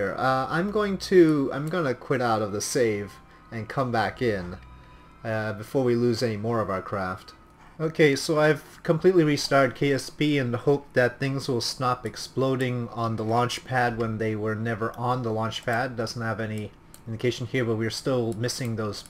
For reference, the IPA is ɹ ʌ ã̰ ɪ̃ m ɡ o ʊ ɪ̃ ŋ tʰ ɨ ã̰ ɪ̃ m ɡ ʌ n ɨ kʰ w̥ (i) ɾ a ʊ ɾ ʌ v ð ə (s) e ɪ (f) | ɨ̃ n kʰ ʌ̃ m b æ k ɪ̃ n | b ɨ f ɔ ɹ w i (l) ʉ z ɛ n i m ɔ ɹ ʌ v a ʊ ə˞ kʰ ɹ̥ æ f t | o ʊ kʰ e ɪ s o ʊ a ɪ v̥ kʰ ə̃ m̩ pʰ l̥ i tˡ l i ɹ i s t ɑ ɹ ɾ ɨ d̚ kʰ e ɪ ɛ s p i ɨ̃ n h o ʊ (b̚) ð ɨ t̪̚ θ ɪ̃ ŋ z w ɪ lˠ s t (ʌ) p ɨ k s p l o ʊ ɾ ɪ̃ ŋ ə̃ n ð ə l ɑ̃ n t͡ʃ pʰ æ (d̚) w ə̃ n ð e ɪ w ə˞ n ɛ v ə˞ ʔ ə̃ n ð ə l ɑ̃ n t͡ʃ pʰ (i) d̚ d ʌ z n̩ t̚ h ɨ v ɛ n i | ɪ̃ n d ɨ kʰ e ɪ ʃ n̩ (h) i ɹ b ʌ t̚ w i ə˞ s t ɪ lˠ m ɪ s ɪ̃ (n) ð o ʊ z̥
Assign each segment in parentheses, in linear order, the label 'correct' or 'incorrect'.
incorrect: ɪ, correct, incorrect: v, correct, incorrect: p̚, incorrect: ɑ, correct, incorrect: æ, correct, incorrect: ŋ

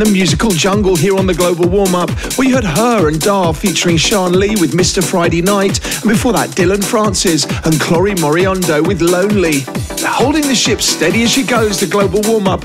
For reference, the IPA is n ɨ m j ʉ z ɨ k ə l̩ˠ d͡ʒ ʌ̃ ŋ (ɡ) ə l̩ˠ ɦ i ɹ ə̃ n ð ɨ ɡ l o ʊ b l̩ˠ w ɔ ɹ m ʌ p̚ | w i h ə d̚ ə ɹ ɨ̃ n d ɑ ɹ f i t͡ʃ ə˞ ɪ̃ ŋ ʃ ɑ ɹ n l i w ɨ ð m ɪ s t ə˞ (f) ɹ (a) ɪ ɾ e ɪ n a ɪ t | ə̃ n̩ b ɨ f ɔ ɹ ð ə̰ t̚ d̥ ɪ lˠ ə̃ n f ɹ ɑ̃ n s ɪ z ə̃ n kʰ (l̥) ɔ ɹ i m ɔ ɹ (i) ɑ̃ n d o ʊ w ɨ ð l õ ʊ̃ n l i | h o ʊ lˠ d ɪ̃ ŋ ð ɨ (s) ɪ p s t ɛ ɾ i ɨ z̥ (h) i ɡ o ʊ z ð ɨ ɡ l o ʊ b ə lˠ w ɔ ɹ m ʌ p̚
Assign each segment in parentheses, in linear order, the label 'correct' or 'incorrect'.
correct, correct, correct, correct, correct, incorrect: ʃ, incorrect: ʃ

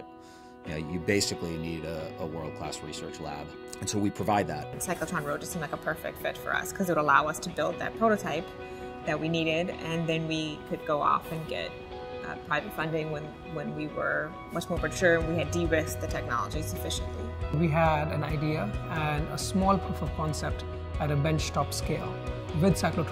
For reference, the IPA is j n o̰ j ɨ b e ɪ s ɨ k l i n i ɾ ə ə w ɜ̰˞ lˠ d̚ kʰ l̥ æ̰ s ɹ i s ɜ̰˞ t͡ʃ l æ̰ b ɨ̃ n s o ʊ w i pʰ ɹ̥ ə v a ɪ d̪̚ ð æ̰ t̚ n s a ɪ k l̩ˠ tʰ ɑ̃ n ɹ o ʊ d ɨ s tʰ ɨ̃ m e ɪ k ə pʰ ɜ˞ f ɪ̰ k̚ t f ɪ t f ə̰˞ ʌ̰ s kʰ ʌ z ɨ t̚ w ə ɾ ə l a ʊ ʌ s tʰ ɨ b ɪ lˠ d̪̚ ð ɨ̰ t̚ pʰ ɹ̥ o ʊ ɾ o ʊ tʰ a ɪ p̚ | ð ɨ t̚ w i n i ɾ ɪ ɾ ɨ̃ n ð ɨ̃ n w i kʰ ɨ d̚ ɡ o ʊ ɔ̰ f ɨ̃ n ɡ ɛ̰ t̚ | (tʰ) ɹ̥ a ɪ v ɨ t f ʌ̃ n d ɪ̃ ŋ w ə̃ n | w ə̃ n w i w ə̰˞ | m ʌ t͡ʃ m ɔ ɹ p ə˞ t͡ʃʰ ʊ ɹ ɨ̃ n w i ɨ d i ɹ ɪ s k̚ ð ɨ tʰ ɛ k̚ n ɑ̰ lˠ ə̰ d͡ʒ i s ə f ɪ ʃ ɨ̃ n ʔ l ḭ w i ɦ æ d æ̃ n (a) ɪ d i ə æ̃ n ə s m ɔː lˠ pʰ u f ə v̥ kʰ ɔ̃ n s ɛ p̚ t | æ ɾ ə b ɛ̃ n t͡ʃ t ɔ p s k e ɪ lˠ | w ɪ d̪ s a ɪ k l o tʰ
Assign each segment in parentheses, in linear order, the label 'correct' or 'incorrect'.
incorrect: pʰ, correct

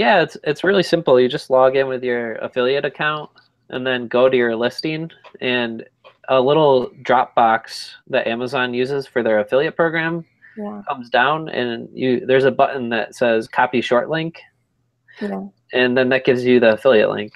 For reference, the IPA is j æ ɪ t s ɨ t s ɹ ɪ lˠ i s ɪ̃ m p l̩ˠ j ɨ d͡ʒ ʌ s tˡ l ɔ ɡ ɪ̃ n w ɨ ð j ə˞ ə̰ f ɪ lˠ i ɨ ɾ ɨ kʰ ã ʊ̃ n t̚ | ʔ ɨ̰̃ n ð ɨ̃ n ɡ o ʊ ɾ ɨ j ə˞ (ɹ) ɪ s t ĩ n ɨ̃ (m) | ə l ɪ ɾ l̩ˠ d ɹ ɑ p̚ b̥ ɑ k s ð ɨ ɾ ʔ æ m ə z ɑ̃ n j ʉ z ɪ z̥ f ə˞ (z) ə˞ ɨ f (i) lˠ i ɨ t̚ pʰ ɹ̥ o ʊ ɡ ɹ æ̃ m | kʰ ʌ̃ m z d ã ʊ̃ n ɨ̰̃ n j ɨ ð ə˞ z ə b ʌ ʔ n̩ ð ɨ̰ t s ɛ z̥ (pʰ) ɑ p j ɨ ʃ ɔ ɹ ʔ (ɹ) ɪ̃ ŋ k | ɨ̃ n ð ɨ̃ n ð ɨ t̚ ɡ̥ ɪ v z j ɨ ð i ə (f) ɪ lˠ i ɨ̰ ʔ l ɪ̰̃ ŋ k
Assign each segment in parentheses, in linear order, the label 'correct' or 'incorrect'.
incorrect: l, incorrect: n, incorrect: ð, incorrect: ɪ, incorrect: kʰ, incorrect: l, correct

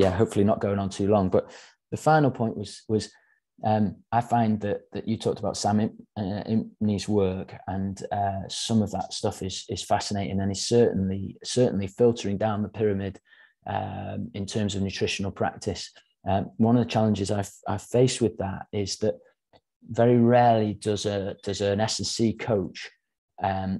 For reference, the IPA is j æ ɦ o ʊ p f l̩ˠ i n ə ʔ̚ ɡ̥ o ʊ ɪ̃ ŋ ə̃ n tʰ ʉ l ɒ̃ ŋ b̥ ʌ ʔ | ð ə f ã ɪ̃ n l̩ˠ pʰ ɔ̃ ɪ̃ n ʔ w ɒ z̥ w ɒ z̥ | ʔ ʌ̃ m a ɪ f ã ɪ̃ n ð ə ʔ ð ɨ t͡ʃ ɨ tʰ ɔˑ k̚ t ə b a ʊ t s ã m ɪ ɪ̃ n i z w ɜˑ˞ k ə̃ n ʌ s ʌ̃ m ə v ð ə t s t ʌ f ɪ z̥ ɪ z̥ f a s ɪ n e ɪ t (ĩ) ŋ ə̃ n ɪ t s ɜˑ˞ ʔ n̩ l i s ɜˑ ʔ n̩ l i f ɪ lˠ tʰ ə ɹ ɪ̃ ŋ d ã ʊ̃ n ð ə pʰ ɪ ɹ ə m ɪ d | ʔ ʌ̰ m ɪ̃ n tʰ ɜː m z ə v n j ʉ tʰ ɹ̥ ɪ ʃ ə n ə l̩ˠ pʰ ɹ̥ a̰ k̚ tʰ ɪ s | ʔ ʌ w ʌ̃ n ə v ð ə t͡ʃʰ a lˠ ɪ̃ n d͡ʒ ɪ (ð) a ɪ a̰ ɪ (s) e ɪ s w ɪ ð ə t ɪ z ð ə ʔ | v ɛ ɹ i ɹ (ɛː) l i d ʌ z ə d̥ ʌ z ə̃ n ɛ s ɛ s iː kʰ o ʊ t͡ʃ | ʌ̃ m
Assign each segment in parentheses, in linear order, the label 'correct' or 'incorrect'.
incorrect: ɪ̃, incorrect: z, incorrect: f, correct

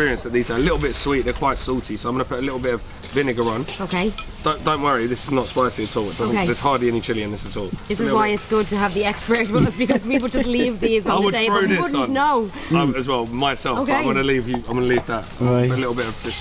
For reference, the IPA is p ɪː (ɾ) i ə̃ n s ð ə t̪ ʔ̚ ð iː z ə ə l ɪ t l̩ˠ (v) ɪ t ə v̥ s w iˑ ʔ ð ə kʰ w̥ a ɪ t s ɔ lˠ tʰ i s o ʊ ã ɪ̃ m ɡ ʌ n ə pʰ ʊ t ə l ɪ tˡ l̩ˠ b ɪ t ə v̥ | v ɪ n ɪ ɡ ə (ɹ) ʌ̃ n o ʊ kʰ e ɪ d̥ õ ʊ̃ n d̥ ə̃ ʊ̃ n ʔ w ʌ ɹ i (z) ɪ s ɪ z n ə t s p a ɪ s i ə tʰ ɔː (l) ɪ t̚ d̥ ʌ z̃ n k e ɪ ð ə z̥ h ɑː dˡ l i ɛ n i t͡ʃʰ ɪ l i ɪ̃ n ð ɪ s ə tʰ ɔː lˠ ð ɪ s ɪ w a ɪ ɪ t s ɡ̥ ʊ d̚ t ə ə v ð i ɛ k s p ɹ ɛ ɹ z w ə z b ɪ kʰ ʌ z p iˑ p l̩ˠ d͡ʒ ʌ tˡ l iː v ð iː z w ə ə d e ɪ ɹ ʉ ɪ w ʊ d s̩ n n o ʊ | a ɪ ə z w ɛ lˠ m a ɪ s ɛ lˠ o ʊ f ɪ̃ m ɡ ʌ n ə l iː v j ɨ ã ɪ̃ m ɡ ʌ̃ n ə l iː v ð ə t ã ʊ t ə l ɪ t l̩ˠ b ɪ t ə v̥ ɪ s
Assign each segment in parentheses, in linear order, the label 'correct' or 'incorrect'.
incorrect: ɹ, incorrect: b, correct, incorrect: ð, correct

